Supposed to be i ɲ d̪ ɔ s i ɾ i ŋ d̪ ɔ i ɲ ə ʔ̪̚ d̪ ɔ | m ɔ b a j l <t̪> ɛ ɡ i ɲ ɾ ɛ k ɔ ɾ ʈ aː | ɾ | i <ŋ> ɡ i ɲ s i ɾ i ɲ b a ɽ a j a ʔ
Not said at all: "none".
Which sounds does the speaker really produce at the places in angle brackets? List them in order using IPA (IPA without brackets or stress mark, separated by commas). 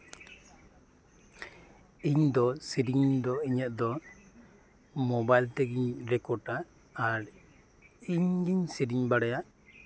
t̪, ɲ